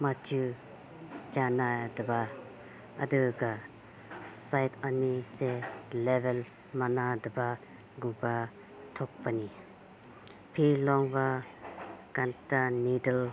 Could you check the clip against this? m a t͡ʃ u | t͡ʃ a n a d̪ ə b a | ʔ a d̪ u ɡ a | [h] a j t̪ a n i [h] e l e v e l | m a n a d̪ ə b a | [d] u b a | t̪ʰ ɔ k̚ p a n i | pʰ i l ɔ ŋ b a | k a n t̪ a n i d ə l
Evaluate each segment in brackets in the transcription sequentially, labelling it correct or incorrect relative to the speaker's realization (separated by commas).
incorrect, incorrect, incorrect